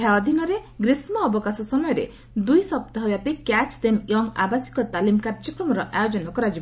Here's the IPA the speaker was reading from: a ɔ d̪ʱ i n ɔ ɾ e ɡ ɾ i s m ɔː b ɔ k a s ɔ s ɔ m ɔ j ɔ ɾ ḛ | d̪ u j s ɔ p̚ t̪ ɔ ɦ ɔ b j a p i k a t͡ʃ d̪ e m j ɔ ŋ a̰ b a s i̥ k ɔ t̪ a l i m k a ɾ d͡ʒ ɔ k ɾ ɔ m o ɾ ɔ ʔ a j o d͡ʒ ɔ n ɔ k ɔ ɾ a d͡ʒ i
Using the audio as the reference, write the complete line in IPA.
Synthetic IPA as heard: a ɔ d̪ʱ i n ɔ ɾ e ɡ ɾ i s m ɔː b ɔ k a s ɔ s ɔ m ɔ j ɔ ɾ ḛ | d̪ u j s ɔ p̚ t̪ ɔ ɦ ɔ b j a p i k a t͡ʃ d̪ e m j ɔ ŋ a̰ b a s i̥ k ɔ t̪ a l i m k a ɾ d͡ʒ ɔ k ɾ ɔ m ɔ ɾ ɔ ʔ a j o d͡ʒ ɔ n ɔ k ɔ ɾ a d͡ʒ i